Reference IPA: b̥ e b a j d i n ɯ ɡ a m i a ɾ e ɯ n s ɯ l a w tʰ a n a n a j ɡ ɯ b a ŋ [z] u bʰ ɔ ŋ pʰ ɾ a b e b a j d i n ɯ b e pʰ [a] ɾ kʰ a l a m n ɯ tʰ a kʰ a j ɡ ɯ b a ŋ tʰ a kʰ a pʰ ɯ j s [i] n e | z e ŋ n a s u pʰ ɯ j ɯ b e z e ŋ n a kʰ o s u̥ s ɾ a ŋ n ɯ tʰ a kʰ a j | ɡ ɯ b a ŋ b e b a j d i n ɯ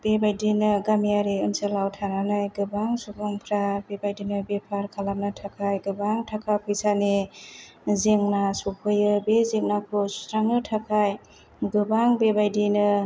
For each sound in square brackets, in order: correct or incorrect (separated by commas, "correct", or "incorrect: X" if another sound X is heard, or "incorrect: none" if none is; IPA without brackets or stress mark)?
incorrect: s, correct, incorrect: a